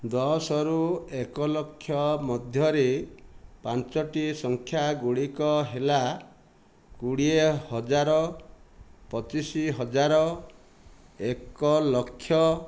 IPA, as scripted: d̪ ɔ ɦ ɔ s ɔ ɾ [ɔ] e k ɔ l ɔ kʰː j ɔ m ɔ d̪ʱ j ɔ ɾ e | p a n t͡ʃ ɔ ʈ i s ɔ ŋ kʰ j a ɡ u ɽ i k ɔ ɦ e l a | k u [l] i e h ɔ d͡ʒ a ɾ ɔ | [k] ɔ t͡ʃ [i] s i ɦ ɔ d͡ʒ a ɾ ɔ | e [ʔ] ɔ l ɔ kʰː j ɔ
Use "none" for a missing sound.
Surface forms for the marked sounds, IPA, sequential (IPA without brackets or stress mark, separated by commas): u, ɽ, p, i, k